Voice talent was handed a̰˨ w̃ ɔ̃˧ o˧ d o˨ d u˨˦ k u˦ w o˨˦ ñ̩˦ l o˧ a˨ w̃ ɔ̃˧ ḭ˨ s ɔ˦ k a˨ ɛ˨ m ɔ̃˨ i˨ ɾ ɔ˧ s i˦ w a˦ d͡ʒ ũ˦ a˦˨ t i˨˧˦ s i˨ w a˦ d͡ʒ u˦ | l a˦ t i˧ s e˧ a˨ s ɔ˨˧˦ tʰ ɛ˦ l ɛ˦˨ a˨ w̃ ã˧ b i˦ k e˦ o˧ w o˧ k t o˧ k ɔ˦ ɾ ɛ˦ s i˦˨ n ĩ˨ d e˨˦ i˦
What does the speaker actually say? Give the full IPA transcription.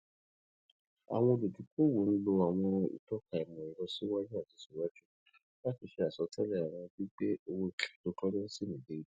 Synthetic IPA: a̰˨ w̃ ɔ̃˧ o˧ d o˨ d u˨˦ k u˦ w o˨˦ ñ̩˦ l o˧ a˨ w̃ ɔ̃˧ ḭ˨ t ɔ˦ k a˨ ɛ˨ m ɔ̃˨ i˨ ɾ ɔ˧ s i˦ w a˦ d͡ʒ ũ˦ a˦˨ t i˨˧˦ s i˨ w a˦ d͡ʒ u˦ | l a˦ t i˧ ʃ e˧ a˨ s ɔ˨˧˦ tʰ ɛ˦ l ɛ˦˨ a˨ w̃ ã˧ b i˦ k͡p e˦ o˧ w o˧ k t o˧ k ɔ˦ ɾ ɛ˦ s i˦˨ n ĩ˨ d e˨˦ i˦